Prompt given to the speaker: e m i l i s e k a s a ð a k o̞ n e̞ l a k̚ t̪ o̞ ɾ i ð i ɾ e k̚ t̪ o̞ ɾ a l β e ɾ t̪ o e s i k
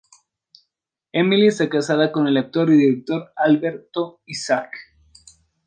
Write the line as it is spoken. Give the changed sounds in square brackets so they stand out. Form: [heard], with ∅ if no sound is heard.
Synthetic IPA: e m i l i s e k a s a ð a k o̞ n e̞ l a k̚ t̪ o̞ ɾ i ð i ɾ e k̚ t̪ o̞ ɾ a l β e ɾ t̪ o [i] s [a] k